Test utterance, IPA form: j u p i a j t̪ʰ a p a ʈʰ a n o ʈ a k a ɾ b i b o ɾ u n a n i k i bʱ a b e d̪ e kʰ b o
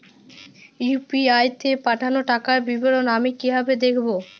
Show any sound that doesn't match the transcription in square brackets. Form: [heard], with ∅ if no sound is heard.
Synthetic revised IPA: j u p i a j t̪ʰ [e] p a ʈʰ a n o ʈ a k a ɾ b i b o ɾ [o] n a [m] i k i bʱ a b e d̪ e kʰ b o

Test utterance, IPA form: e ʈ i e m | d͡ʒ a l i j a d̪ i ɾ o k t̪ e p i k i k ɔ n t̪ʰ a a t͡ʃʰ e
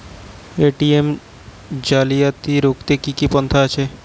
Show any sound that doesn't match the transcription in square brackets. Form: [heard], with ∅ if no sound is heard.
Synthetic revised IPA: e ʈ i e m | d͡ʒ a l i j a [t̪] i ɾ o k t̪ e [k] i k i [p] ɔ n t̪ʰ a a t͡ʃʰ e

